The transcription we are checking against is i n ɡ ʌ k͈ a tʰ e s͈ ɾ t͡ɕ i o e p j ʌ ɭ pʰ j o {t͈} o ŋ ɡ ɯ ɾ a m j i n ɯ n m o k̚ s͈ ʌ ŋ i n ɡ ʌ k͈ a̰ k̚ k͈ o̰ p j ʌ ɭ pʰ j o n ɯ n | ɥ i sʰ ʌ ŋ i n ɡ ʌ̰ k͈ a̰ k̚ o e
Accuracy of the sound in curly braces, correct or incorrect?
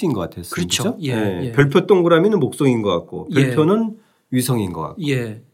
correct